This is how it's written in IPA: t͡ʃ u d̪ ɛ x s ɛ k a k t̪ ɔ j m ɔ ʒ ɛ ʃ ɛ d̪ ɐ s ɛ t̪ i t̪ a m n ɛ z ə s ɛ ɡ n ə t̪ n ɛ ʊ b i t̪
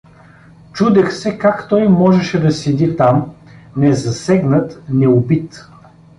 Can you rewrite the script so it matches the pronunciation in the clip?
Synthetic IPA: t͡ʃ u d̪ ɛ x s ɛ k a k t̪ ɔ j m ɔ ʒ ɛ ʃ ɛ d̪ ɐ s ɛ d̪ i t̪ a m n ɛ z ɐ s ɛ ɡ n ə t̪ n ɛ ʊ b i t̪